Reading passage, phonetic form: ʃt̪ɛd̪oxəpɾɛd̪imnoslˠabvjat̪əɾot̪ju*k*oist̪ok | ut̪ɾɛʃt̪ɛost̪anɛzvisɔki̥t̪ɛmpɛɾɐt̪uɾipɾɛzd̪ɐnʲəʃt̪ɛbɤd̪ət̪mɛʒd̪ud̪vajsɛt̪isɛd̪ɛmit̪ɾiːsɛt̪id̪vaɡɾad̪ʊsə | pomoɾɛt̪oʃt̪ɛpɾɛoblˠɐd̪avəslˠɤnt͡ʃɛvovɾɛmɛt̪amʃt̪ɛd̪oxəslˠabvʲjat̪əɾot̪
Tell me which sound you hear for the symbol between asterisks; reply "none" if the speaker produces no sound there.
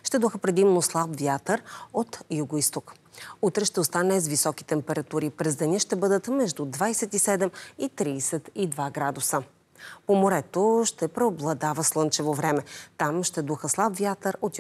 ɡ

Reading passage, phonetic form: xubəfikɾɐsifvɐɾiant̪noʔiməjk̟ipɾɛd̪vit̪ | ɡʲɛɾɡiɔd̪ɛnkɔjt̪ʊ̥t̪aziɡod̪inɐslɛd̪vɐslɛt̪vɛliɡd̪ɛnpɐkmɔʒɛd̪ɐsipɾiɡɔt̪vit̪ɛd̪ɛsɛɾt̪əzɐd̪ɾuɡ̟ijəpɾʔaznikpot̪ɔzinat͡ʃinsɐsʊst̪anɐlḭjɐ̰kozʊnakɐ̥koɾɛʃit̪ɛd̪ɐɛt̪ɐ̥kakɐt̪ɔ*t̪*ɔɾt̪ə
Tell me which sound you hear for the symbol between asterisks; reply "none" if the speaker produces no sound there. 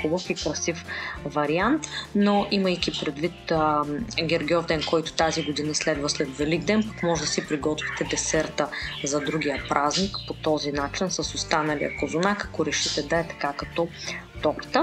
t̪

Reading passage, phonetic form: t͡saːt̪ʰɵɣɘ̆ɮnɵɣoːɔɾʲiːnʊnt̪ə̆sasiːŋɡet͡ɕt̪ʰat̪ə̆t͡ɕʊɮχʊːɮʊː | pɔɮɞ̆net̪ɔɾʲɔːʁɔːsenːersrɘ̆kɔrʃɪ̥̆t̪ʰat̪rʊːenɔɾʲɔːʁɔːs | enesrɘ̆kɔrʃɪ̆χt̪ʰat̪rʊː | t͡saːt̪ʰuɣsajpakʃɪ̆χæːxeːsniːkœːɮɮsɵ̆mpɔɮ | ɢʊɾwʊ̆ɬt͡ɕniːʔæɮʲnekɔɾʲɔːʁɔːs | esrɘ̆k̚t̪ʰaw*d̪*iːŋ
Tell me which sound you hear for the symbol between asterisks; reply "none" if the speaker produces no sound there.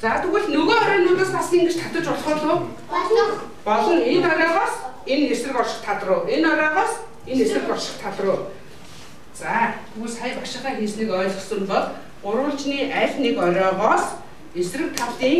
t̪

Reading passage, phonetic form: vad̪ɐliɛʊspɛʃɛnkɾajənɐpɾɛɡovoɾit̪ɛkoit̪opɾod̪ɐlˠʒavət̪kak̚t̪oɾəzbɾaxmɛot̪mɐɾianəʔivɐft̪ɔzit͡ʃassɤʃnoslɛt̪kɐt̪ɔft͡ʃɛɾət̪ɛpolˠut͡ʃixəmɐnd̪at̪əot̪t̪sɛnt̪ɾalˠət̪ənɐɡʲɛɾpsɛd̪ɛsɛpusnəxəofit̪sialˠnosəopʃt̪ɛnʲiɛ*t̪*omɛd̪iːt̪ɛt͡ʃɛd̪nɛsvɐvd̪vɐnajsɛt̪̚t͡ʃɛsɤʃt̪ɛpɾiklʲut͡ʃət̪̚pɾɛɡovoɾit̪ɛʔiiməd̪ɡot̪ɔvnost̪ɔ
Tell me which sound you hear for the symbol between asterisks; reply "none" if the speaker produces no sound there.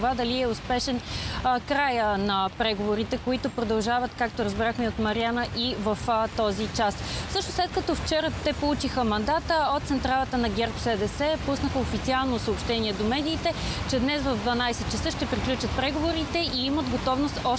d̪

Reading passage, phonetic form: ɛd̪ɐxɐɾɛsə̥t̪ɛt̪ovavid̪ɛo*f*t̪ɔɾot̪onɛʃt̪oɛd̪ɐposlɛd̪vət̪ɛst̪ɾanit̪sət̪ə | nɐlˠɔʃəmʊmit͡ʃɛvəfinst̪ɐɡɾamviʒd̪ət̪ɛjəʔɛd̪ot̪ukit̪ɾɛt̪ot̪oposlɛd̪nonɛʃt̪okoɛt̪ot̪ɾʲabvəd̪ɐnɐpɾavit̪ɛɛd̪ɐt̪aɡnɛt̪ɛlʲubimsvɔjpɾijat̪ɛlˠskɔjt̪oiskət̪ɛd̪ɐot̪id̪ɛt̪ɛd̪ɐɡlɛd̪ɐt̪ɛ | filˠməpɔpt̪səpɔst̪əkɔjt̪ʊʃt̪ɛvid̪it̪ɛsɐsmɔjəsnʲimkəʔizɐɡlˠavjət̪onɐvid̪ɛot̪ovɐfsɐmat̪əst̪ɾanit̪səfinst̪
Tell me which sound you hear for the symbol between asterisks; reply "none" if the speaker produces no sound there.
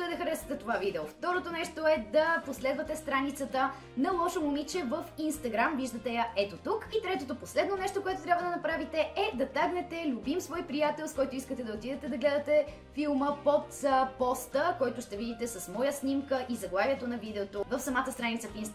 f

